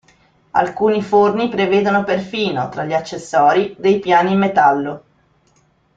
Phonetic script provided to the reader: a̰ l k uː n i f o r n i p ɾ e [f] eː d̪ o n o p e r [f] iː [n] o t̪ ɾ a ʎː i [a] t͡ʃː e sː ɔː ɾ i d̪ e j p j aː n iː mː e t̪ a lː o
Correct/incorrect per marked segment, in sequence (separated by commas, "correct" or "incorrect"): incorrect, correct, correct, correct